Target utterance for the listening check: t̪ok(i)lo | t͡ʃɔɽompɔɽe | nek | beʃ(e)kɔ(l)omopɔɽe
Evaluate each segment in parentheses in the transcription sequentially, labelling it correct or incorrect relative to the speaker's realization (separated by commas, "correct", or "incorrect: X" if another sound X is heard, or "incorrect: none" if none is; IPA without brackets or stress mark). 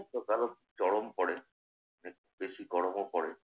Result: incorrect: a, incorrect: i, incorrect: ɽ